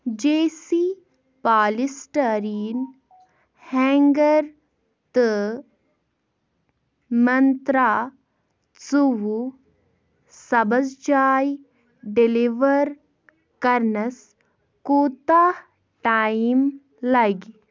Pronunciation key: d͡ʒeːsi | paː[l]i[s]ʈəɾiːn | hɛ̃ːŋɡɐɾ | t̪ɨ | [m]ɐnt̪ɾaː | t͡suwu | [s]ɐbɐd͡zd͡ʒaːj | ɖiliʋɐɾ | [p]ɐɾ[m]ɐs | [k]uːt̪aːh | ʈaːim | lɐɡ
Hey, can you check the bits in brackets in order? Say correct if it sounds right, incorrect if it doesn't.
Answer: correct, correct, correct, correct, incorrect: k, incorrect: n, correct

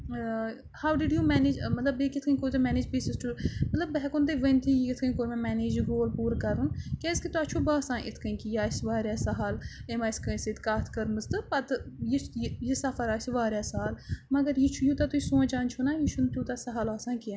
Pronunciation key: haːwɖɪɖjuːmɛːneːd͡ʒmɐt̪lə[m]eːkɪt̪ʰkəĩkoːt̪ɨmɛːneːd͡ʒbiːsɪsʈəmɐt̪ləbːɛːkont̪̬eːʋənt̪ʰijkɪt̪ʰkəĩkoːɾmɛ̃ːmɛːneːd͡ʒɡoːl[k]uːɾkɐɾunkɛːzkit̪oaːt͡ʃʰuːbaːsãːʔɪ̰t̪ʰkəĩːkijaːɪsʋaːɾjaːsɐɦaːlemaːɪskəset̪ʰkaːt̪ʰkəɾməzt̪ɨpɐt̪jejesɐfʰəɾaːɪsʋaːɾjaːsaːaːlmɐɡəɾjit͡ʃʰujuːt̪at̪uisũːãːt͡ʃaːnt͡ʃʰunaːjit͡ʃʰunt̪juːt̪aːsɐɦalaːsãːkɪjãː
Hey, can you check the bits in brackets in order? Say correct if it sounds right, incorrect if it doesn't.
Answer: incorrect: b, incorrect: p

